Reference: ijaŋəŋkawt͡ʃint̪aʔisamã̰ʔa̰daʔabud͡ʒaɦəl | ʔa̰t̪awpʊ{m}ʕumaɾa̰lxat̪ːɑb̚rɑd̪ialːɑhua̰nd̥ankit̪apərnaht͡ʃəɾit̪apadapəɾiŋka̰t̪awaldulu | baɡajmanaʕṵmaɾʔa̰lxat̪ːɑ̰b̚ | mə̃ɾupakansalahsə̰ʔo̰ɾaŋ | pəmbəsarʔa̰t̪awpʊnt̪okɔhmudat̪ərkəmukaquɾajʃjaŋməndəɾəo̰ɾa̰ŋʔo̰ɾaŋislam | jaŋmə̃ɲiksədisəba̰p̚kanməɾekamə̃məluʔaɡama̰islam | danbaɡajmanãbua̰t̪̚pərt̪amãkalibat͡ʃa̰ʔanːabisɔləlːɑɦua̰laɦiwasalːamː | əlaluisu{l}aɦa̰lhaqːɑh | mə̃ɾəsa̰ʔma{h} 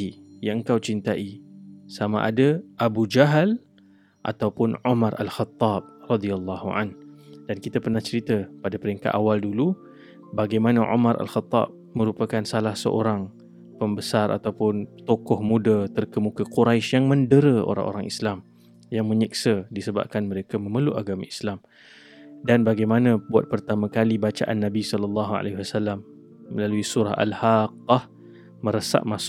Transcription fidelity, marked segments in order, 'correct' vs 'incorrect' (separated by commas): incorrect, incorrect, incorrect